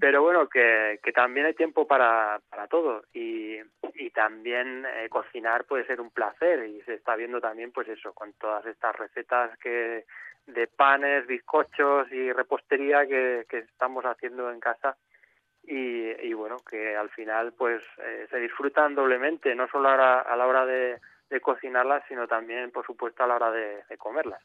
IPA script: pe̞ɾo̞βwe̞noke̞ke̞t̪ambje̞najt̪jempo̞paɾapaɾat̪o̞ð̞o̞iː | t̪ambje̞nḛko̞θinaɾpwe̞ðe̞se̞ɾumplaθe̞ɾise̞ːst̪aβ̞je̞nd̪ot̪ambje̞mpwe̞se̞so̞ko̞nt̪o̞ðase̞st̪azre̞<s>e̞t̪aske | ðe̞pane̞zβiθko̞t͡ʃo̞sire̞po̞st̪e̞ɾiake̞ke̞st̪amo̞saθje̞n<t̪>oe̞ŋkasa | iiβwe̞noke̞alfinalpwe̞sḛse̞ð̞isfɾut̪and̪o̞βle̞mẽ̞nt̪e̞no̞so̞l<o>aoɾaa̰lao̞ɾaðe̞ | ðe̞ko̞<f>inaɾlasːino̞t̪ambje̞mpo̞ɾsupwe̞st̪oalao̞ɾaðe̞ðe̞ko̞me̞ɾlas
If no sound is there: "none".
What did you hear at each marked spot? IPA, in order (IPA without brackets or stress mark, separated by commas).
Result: θ, d̪, o, θ